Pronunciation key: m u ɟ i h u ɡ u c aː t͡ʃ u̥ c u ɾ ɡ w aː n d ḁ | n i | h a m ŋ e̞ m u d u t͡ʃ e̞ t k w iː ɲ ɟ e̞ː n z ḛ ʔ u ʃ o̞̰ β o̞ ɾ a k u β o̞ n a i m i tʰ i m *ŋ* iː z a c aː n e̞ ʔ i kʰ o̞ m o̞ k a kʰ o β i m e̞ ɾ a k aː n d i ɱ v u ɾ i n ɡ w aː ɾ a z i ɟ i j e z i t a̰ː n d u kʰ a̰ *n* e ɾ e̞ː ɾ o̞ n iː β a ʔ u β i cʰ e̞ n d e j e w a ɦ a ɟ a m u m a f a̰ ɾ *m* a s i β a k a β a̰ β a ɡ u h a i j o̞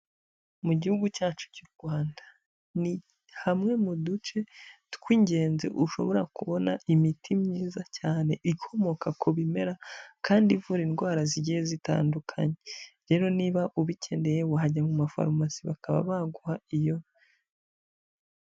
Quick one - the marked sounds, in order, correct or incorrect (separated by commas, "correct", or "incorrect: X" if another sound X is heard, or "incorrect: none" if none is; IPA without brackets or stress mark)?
incorrect: ɲ, incorrect: ɲ, correct